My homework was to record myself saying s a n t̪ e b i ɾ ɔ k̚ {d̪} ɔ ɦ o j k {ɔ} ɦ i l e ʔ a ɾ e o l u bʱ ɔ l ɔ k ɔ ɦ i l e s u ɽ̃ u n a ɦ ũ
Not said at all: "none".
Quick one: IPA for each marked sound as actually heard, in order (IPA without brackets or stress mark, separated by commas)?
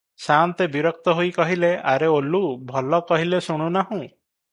t̪, ɔ